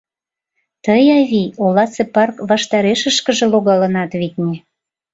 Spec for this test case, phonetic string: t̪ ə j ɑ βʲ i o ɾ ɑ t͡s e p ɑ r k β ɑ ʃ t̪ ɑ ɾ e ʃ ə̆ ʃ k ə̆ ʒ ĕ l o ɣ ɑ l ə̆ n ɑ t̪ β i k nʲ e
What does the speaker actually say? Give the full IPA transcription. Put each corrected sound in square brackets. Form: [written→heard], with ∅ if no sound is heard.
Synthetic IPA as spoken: t̪ ə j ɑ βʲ i o [ɾ→l] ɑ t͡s e p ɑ r k β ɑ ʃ t̪ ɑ ɾ e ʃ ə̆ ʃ k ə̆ ʒ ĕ l o ɣ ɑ l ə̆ n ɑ t̪ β i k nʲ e